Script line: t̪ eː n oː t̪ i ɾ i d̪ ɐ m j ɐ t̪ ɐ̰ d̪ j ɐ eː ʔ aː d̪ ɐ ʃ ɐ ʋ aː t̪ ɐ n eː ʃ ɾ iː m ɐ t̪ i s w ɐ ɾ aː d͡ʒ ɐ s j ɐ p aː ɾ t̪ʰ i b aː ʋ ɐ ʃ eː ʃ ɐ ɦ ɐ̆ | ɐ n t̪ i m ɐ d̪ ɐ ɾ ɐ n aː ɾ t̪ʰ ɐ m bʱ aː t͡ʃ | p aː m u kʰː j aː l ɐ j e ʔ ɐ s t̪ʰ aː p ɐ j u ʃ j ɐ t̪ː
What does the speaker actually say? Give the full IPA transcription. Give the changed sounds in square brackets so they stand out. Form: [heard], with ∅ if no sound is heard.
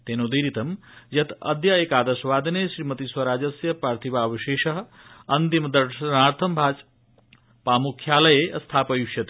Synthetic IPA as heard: t̪ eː n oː [d̪] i ɾ i [t̪] ɐ m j ɐ t̪ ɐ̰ d̪ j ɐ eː [k] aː d̪ ɐ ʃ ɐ ʋ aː [d̪] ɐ n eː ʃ ɾ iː m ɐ t̪ i s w ɐ ɾ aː d͡ʒ ɐ s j ɐ p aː ɾ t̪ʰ i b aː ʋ ɐ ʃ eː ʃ ɐ ɦ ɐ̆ | ɐ n t̪ i m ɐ d̪ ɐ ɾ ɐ n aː ɾ t̪ʰ ɐ m bʱ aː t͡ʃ | p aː m u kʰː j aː l ɐ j e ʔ ɐ s t̪ʰ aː p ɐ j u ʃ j ɐ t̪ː

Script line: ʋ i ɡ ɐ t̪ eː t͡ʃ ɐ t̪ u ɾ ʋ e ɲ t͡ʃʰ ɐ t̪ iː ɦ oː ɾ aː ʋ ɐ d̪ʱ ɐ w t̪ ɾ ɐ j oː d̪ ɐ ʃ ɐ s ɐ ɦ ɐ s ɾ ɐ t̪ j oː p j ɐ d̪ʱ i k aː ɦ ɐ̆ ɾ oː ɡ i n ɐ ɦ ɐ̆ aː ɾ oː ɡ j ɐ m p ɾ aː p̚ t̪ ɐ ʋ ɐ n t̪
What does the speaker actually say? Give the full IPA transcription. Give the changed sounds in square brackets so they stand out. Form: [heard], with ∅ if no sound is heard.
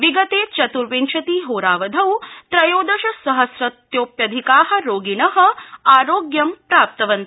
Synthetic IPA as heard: ʋ i ɡ ɐ t̪ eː t͡ʃ ɐ t̪ u ɾ ʋ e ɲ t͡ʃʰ ɐ t̪ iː ɦ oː ɾ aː ʋ ɐ d̪ʱ ɐ w t̪ ɾ ɐ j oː d̪ ɐ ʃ ɐ s ɐ ɦ ɐ s ɾ ɐ t̪ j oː p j ɐ d̪ʱ i k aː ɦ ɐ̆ ɾ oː ɡ i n ɐ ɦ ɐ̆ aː ɾ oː ɡ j ɐ m p ɾ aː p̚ t̪ ɐ ʋ ɐ n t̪

